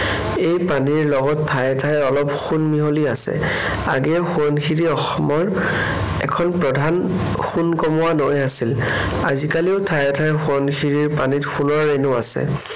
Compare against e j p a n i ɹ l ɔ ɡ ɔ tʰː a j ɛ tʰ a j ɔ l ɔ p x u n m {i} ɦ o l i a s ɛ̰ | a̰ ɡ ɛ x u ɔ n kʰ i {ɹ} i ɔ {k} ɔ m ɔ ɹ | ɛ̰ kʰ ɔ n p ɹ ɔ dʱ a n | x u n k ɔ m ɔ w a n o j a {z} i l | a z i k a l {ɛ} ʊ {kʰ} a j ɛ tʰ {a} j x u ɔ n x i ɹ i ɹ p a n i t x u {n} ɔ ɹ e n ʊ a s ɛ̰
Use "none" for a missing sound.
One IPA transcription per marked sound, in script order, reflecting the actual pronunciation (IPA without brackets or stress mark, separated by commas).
i, ɹ, x, s, i, tʰ, a, n